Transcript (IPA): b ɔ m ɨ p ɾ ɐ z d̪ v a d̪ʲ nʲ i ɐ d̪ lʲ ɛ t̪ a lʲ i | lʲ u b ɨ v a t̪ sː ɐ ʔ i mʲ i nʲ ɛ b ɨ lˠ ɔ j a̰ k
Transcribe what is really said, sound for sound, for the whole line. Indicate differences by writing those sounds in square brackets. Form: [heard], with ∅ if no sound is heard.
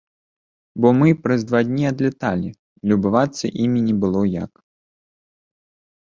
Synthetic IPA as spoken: b ɔ m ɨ p ɾ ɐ z d̪ v a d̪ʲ nʲ i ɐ d̪ lʲ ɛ t̪ a lʲ i | lʲ u b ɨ v a t̪ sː ɐ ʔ i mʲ i nʲ ɛ b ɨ lˠ ɔ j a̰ k